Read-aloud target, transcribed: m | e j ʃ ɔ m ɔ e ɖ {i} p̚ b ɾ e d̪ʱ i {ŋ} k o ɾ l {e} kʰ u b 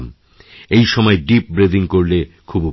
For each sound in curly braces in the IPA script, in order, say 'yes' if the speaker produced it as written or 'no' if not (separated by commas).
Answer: yes, yes, yes